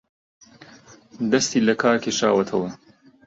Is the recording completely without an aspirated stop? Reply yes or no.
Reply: no